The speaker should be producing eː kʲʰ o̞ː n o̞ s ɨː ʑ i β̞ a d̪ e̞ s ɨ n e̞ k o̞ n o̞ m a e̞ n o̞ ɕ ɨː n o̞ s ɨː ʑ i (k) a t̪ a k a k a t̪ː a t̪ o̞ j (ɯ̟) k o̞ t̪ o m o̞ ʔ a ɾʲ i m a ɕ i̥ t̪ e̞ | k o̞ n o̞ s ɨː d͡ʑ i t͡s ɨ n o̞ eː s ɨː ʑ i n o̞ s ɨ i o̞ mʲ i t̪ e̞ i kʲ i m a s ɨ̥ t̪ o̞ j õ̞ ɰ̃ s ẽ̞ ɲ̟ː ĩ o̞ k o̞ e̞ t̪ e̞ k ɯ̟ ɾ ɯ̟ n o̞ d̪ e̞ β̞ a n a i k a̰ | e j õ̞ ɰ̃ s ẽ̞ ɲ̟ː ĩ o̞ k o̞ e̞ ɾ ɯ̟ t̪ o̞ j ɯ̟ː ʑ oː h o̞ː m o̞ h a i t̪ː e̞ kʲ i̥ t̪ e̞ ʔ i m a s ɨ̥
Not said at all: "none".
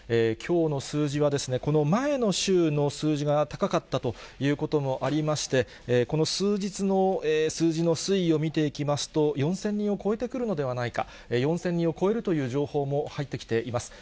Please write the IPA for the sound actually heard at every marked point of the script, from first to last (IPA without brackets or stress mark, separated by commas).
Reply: ɡ, ɯ̟ː